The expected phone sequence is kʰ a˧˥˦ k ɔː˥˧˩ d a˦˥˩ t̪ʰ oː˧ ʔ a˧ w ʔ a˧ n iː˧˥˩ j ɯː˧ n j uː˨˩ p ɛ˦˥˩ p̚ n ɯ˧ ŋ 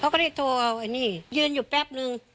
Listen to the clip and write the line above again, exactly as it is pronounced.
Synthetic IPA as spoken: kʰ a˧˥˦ k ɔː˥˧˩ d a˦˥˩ t̪ʰ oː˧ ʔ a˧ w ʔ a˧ n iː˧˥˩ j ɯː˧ n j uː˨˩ p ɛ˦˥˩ p̚ n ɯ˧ ŋ